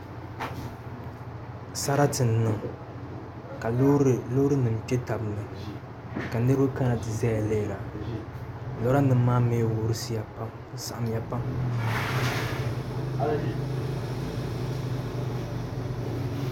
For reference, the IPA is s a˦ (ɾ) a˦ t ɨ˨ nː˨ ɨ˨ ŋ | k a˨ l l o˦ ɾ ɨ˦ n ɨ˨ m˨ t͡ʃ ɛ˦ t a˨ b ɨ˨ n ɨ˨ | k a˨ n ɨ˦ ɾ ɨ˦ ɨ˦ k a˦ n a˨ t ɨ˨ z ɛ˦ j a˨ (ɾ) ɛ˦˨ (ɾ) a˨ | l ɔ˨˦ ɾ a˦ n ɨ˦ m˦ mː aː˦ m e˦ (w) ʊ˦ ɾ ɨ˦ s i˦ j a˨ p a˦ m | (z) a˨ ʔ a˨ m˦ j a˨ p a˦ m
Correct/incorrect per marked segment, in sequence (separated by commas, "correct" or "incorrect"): correct, incorrect, incorrect, correct, incorrect